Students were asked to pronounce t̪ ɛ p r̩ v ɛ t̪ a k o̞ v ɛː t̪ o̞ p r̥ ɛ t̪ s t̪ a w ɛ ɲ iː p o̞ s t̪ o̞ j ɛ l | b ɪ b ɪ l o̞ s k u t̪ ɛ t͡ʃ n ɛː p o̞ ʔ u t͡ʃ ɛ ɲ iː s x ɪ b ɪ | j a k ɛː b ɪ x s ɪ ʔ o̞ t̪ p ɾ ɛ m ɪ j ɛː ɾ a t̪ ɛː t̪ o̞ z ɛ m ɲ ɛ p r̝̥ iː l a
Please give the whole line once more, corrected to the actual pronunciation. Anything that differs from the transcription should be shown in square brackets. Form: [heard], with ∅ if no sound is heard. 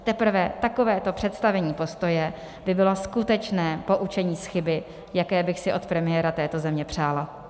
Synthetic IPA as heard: t̪ ɛ p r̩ v ɛ t̪ a k o̞ v ɛː t̪ o̞ p r̥ ɛ t̪ s t̪ a [v] ɛ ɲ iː p o̞ s t̪ o̞ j ɛ [∅] | b ɪ b ɪ l o̞ s k u t̪ ɛ t͡ʃ n ɛː p o̞ ʔ u t͡ʃ ɛ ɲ iː s x ɪ b ɪ | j a k ɛː b ɪ x s ɪ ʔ o̞ t̪ p ɾ ɛ m ɪ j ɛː ɾ a t̪ ɛː t̪ o̞ z ɛ m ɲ ɛ p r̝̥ [aː] l a